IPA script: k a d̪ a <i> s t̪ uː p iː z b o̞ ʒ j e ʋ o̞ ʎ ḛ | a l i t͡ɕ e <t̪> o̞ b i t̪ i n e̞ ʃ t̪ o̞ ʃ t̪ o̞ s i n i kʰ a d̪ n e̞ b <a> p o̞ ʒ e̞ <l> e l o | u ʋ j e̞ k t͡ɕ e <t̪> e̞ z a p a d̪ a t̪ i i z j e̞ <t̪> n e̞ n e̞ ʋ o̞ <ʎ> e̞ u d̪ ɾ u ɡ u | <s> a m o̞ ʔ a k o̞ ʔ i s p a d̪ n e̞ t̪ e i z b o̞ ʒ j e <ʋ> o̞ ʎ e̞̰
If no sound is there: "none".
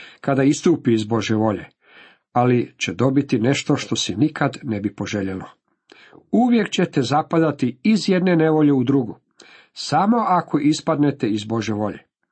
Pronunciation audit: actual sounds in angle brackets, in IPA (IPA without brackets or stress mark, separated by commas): i, d̪, i, ʎ, t̪, d̪, ʎ, s, ʋ